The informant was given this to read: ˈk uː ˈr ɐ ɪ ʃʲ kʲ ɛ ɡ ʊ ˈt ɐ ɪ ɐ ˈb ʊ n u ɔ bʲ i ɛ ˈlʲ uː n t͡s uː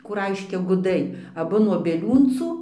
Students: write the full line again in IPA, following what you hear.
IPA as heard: ˈk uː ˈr ɐ ɪ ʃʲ kʲ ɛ ɡ ʊ ˈd ɐ ɪ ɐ ˈb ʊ n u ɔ bʲ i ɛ ˈlʲ uː n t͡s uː